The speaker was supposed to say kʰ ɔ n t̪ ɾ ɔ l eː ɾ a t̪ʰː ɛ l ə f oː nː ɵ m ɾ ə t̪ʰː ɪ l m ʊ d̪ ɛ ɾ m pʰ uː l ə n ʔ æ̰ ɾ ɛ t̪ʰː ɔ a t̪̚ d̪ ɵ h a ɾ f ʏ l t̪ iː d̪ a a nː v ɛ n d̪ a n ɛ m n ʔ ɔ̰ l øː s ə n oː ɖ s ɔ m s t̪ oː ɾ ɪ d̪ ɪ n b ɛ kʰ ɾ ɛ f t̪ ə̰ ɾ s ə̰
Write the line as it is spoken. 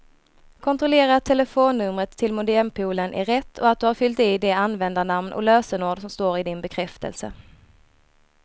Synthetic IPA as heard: kʰ ɔ n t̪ ɾ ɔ l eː ɾ a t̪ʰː ɛ l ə f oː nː ɵ m ɾ ə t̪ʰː ɪ l m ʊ d̪ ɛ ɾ m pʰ uː l ə n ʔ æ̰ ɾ ɛ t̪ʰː ɔ a t̪̚ d̪ ɵ h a ɾ f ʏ l t̪ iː d̪ ɛ a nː v ɛ n d̪ a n a m n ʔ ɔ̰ l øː s ə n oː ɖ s ɔ m s t̪ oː ɾ ɪ d̪ ɪ n b ɛ kʰ ɾ ɛ f t̪ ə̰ l s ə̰